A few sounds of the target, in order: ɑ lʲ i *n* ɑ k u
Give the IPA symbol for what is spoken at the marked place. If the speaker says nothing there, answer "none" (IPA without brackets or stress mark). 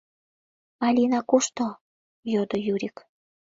n